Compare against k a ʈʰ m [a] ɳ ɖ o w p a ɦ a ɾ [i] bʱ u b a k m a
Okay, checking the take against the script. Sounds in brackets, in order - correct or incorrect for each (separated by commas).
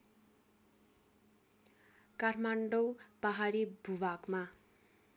correct, correct